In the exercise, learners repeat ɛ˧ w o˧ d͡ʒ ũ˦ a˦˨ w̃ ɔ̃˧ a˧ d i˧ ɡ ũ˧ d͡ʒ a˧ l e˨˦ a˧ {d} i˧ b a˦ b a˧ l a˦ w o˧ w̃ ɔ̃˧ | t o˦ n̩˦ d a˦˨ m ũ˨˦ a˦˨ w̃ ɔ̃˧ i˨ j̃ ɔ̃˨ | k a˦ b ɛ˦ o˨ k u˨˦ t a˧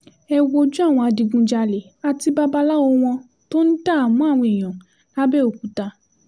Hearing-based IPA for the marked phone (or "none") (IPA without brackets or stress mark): t